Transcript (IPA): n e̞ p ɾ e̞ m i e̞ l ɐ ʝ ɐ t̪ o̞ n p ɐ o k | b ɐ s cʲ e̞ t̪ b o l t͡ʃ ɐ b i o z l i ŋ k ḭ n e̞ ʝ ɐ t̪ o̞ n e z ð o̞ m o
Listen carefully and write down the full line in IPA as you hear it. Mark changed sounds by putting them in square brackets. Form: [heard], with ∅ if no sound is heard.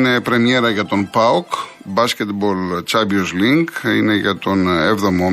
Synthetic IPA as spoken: n e̞ p ɾ e̞ m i e̞ [ɾ] ɐ ʝ ɐ t̪ o̞ n p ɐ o k | b ɐ s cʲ e̞ t̪ b o l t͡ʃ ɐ b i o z l i ŋ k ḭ n e̞ ʝ ɐ t̪ o̞ n e [v] ð o̞ m o